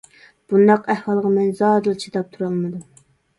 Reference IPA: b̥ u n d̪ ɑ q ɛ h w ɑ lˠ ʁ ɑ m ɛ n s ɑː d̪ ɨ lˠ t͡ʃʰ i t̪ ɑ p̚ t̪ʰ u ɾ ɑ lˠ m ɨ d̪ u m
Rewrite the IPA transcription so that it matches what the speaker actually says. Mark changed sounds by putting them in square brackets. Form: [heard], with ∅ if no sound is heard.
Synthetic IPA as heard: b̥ u n d̪ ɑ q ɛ h w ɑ lˠ ʁ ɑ m ɛ n [z] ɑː d̪ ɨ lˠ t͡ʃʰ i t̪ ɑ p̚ t̪ʰ u ɾ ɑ lˠ m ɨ d̪ u m